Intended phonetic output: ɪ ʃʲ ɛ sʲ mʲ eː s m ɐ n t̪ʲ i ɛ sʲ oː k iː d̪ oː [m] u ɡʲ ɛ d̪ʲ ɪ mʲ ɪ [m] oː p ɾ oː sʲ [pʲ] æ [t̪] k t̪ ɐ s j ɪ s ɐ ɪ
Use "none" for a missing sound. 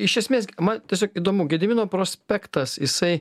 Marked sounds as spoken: m, n, pʲ, none

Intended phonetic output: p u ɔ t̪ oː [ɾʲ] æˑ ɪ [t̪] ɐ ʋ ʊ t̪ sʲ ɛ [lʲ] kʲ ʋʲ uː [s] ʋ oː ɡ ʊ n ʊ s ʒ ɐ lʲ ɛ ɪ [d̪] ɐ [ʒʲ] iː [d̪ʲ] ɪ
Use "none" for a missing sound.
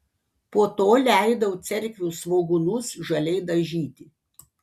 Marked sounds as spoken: lʲ, d̪, ɾʲ, s, d̪, ʒʲ, t̪ʲ

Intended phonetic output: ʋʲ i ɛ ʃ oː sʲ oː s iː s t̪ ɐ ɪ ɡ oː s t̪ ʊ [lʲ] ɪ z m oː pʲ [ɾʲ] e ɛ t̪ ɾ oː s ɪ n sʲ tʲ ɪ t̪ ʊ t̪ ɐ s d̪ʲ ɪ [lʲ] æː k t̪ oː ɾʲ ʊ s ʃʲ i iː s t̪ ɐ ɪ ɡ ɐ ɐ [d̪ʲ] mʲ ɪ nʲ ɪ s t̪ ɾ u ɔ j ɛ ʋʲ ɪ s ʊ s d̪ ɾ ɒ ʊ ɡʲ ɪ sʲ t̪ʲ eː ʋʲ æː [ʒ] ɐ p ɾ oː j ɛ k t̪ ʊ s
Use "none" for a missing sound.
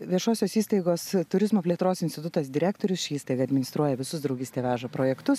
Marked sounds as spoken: ɾʲ, lʲ, ɾʲ, d̪ʲ, ʒ

